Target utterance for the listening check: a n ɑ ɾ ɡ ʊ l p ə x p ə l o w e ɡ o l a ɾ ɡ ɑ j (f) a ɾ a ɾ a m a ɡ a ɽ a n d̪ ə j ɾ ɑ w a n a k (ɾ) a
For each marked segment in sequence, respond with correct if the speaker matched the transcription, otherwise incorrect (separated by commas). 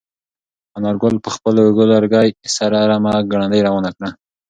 incorrect, incorrect